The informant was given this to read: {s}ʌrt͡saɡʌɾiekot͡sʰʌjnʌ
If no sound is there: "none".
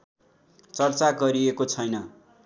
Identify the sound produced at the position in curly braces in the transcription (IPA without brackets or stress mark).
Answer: t͡s